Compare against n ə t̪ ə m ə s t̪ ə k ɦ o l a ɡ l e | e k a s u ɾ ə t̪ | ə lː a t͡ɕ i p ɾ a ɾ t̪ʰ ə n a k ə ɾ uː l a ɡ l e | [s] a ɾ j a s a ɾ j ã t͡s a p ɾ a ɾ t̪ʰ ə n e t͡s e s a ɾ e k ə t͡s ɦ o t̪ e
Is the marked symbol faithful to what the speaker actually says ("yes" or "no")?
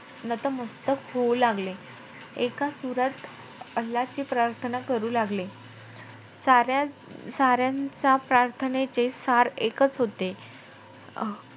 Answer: yes